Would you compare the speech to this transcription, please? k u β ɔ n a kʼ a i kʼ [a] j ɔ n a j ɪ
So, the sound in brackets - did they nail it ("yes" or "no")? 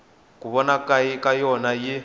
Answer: yes